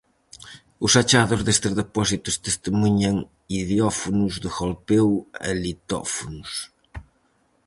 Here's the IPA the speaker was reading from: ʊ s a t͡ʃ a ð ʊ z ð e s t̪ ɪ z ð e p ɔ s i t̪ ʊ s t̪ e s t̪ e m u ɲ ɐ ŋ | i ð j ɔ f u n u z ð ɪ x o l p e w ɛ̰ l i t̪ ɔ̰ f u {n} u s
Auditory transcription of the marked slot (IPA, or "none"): n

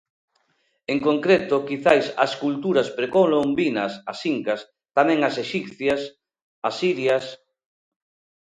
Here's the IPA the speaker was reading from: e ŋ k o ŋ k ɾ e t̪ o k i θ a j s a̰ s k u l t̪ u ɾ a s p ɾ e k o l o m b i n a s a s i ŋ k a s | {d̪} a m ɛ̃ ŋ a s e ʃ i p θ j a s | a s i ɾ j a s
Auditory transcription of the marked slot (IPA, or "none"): t̪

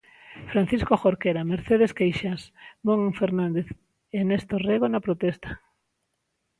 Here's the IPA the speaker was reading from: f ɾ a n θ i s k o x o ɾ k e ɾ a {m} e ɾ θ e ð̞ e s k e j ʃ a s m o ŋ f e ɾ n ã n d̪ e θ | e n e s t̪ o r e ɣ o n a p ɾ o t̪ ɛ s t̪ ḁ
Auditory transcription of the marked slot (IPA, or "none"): m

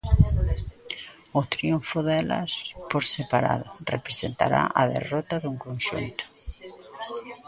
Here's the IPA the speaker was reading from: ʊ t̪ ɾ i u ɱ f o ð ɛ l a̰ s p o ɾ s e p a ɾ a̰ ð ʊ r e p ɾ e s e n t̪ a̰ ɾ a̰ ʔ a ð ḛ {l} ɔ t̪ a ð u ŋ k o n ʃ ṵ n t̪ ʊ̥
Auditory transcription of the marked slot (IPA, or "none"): r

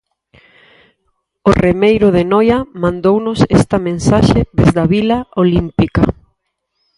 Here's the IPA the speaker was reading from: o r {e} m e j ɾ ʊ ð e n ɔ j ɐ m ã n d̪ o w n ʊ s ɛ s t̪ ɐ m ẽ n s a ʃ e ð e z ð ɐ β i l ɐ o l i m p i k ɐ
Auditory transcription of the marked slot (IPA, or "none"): e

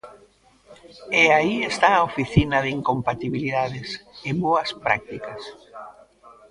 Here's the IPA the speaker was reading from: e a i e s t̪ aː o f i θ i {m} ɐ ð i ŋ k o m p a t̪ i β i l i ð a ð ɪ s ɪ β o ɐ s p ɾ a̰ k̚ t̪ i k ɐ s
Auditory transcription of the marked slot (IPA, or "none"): n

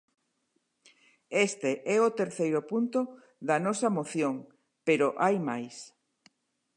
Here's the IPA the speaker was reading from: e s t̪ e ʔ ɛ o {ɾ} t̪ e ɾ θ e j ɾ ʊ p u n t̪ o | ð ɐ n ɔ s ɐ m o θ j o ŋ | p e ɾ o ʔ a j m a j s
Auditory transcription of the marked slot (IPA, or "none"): none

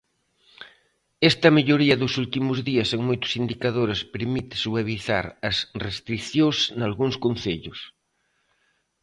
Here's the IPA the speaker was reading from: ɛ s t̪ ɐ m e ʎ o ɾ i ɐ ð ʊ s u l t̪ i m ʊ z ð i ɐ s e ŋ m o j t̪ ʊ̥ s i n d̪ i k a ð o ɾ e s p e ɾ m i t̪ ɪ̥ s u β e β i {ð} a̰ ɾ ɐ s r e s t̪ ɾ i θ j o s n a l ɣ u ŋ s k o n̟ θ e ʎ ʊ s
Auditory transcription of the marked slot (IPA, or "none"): θ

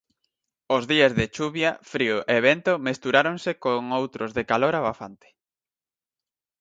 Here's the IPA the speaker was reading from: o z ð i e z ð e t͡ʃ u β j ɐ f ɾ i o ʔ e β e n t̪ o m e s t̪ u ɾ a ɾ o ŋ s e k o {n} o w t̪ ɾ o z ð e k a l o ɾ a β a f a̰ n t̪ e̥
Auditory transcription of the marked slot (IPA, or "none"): ŋ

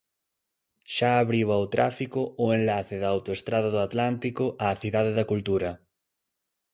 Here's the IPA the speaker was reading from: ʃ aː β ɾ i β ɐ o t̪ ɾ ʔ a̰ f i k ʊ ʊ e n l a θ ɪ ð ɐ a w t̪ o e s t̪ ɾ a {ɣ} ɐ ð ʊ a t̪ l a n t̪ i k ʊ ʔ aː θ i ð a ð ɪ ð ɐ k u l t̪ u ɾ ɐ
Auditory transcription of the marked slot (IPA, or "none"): ð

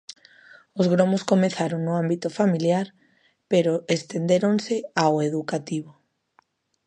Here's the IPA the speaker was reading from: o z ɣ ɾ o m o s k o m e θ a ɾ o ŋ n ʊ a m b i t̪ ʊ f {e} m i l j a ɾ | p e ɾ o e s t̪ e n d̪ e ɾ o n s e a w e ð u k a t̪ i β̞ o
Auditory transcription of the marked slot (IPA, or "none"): a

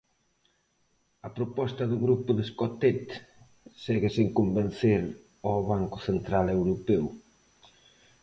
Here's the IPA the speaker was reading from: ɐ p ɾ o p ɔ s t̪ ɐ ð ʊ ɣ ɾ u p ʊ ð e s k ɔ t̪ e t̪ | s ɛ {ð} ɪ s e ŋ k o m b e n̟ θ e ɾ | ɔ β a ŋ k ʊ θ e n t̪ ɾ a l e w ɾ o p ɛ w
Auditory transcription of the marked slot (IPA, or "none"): ɣ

